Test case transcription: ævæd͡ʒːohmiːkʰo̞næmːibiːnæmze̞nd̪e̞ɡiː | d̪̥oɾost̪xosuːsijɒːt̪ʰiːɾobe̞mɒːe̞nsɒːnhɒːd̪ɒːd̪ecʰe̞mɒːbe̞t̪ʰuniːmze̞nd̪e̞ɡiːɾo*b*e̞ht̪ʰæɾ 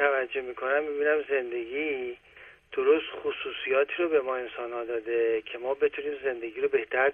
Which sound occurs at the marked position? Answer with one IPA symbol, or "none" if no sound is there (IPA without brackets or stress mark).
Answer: b